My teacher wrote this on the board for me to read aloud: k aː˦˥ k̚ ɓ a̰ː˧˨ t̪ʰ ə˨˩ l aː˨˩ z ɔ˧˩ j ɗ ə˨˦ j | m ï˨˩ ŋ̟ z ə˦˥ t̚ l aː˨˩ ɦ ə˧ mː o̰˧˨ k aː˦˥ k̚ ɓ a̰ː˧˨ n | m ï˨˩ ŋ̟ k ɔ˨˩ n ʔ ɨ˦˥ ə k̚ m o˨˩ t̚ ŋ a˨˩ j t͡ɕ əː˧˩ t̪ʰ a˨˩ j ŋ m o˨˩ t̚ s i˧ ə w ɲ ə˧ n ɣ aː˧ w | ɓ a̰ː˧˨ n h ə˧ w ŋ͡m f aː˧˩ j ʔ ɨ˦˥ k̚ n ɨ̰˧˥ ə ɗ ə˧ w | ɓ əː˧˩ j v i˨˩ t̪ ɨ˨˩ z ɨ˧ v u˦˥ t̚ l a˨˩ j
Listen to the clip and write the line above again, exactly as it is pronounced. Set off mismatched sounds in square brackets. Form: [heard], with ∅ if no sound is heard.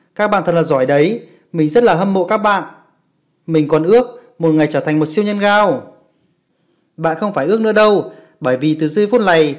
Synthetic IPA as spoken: k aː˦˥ k̚ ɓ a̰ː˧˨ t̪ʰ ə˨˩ l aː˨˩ z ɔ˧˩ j ɗ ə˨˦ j | m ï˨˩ ŋ̟ z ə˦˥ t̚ l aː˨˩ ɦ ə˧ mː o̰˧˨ k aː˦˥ k̚ ɓ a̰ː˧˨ n | m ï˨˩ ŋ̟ k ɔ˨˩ n ʔ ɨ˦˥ ə k̚ m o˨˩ t̚ ŋ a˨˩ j t͡ɕ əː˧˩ t̪ʰ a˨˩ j ŋ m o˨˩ t̚ s i˧ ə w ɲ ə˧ n ɣ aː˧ w | ɓ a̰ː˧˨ n [x] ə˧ w ŋ͡m f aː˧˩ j ʔ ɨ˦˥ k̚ n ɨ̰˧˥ ə ɗ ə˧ w | ɓ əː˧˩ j v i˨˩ t̪ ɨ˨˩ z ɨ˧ [f] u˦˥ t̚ l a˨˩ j